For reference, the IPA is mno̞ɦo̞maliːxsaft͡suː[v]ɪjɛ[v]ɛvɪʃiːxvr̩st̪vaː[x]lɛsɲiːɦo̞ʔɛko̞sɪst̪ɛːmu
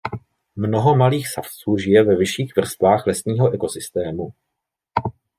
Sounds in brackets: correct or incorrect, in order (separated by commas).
incorrect, correct, correct